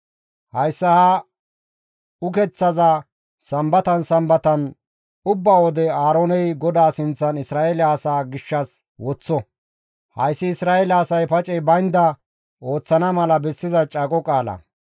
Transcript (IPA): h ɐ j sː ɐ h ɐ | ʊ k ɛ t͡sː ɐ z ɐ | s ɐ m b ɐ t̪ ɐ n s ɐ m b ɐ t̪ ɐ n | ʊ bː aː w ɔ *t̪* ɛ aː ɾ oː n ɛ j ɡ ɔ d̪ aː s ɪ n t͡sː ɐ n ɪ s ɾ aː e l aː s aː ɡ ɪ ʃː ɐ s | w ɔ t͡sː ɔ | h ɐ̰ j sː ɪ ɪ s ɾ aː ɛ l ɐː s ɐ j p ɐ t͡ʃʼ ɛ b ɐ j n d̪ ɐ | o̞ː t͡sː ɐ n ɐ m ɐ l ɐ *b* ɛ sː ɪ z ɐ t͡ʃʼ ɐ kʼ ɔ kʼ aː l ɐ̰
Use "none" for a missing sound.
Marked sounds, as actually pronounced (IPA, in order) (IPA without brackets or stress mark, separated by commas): d̪, b